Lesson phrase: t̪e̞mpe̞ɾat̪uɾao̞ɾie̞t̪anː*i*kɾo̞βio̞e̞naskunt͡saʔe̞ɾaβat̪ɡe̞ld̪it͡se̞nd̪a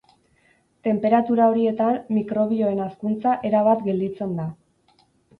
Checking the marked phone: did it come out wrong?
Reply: no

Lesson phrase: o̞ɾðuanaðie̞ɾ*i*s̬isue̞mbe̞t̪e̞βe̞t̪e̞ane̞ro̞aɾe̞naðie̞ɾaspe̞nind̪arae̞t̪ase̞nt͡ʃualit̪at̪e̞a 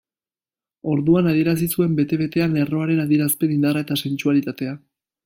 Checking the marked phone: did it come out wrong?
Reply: yes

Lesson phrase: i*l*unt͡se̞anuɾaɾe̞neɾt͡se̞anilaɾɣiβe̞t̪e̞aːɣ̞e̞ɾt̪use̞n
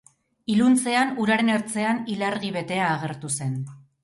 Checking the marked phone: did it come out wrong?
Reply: no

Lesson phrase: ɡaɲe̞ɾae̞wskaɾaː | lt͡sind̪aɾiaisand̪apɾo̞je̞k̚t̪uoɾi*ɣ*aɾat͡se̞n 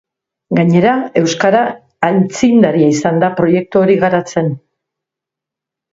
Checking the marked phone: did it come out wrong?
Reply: no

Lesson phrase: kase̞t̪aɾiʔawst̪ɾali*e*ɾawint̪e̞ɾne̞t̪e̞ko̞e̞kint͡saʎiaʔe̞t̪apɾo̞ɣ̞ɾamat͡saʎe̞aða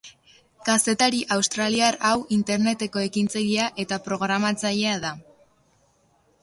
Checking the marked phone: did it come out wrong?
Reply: yes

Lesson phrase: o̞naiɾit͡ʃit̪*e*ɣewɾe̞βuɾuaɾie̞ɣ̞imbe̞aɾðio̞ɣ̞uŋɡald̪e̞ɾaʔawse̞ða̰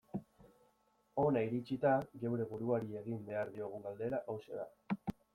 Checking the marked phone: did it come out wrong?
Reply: yes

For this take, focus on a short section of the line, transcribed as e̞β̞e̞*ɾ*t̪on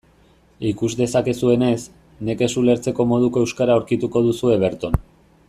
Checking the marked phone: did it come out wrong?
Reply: no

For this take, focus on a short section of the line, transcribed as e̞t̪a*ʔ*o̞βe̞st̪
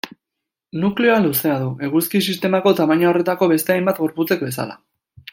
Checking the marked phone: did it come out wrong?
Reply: yes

